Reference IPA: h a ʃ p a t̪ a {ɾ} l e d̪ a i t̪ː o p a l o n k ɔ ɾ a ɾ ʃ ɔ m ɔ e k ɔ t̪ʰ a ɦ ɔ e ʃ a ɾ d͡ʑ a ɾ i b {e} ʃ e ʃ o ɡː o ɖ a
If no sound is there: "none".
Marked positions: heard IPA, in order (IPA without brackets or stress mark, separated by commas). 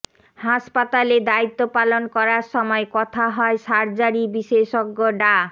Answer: none, i